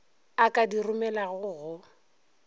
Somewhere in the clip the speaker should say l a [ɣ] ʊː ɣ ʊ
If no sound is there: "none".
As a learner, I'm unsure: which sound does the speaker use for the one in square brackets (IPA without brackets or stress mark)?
ɣ